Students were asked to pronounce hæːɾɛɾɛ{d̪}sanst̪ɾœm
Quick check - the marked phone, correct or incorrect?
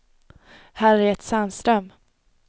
incorrect